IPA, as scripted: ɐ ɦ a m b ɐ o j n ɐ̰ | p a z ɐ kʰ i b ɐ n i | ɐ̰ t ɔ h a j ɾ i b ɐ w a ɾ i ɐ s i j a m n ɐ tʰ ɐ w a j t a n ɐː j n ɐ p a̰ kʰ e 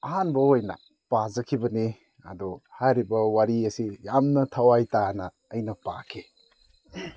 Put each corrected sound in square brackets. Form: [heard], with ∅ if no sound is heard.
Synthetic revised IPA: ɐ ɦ a [n] b ɐ o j n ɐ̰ | p a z ɐ kʰ i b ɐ n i | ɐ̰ [d] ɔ h a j ɾ i b ɐ w a ɾ i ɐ s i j a m n ɐ tʰ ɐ w a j t a n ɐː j n ɐ p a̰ kʰ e

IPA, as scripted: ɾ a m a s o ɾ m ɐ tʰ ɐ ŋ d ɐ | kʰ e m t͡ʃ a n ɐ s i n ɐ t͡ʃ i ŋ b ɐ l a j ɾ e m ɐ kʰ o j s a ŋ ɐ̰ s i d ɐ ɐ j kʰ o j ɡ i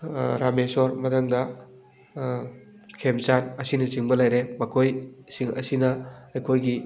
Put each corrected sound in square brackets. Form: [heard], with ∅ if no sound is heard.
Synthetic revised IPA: ɾ a m [e] s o ɾ m ɐ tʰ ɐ ŋ d ɐ | kʰ e m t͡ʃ a n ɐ s i n ɐ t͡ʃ i ŋ b ɐ l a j ɾ e m ɐ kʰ o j s [i] ŋ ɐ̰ s i [n] ɐ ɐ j kʰ o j ɡ i

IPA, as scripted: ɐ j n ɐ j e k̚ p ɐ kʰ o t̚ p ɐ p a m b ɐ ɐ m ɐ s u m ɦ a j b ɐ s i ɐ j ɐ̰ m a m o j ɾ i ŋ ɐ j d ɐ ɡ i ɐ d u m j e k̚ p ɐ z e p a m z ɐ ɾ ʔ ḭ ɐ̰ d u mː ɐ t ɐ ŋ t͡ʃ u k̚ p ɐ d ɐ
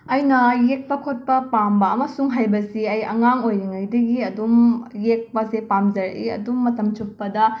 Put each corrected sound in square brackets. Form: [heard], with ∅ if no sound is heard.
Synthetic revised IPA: ɐ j n ɐ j e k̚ p ɐ kʰ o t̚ p ɐ p a m b ɐ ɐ m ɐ s u [ŋ] ɦ a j b ɐ s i ɐ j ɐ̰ [ŋ] a [ŋ] o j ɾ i ŋ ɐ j d ɐ ɡ i ɐ d u m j e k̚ p ɐ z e p a m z ɐ ɾ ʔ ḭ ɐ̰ d u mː ɐ t ɐ [m] t͡ʃ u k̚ p ɐ d ɐ

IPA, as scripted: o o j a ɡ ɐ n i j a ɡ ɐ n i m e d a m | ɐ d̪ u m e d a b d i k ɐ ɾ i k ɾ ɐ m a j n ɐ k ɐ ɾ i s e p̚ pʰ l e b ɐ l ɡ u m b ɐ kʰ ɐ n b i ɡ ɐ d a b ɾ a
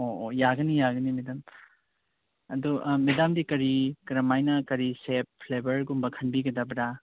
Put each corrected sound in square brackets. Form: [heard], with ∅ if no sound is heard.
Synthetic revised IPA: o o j a ɡ ɐ n i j a ɡ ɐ n i m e d a m | ɐ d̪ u m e d a [m] d i k ɐ ɾ i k ɾ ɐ m a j n ɐ k ɐ ɾ i s e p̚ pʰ l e b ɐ [ɾ] ɡ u m b ɐ kʰ ɐ n b i ɡ ɐ d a b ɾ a

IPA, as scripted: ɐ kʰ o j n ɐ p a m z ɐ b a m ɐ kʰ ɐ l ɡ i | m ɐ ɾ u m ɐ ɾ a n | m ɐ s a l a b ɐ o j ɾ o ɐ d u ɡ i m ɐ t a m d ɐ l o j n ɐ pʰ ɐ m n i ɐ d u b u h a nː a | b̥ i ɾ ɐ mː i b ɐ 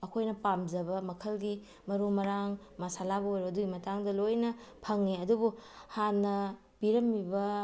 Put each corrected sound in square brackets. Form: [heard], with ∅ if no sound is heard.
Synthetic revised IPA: ɐ kʰ o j n ɐ p a m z ɐ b [ɐ] m ɐ kʰ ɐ l ɡ i | m ɐ ɾ u m ɐ ɾ a [ŋ] | m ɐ s a l a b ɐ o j ɾ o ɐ d u ɡ i m ɐ t a [ŋ] d ɐ l o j n ɐ pʰ ɐ [ŋ] n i ɐ d u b u h a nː [ɐ] | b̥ i ɾ ɐ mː i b ɐ

